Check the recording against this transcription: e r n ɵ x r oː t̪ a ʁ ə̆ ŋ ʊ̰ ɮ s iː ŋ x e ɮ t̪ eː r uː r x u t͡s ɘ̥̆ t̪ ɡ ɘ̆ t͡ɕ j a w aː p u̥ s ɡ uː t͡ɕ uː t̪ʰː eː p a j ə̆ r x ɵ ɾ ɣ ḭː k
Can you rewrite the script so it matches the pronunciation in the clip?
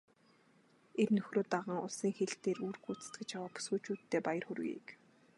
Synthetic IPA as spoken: e r n ɵ x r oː t̪ a ʁ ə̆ ŋ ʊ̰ ɮ s iː ŋ x e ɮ t̪ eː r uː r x u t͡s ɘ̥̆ t̪ ɡ ɘ̆ t͡ɕ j a w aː p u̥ s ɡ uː t͡ɕ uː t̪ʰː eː p a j ə̆ r x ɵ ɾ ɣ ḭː k